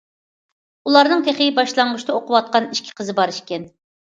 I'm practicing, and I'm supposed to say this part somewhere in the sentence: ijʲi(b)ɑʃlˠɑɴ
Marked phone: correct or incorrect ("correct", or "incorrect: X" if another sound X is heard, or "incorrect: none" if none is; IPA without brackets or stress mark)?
correct